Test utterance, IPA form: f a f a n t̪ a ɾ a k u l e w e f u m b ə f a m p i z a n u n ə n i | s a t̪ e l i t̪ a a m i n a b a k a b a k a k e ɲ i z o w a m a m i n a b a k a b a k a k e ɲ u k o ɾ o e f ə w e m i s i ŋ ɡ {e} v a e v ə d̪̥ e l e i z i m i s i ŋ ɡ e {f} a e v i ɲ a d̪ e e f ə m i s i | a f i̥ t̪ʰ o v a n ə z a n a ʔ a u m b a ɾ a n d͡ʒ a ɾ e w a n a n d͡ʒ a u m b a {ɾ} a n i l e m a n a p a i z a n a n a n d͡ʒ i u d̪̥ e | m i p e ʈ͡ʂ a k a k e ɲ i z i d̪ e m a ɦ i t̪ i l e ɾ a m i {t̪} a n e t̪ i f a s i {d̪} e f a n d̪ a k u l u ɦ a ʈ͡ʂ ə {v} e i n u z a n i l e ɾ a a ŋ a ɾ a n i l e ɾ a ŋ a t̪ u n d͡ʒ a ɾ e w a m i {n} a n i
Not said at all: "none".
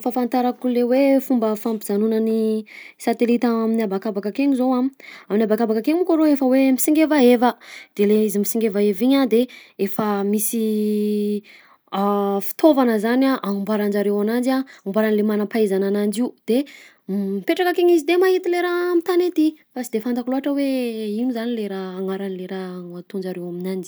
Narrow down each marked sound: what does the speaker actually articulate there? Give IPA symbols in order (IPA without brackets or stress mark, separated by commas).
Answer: e, v, ɾ, t̪, d̪, w, n